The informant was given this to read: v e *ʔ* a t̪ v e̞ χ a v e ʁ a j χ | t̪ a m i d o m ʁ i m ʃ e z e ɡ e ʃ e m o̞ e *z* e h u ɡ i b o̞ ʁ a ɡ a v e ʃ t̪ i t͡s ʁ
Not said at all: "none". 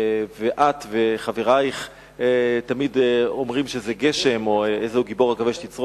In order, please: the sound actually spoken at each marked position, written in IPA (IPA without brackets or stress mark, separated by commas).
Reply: ʔ, z